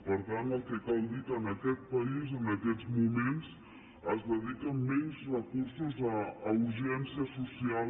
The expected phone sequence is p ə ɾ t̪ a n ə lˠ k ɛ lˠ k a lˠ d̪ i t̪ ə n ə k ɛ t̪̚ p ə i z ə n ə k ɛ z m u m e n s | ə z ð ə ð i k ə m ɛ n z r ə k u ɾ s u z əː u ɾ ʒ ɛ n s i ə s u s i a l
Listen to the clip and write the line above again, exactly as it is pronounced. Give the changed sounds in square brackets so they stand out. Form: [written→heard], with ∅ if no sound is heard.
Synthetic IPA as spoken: p ə ɾ t̪ a n ə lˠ k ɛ [lˠ→∅] k a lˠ d̪ i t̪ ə n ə k ɛ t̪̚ p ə i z ə n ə k ɛ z m u m e n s | ə z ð ə ð i k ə m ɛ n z r ə k u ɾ s u z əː u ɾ ʒ ɛ n s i ə s u s i a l